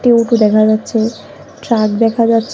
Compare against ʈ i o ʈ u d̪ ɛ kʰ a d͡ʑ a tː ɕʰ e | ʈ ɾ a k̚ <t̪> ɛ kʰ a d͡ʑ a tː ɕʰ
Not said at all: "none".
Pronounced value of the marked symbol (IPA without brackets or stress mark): d̪